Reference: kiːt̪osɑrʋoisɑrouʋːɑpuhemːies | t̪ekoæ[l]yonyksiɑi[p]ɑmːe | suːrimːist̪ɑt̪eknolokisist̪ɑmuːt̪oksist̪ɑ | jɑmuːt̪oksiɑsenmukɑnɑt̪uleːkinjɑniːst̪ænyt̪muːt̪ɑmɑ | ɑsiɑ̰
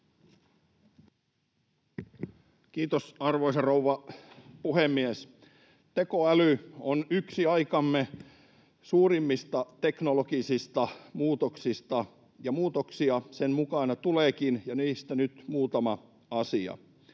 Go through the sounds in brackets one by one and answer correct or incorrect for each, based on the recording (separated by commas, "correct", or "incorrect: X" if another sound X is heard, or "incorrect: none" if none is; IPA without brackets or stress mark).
correct, incorrect: k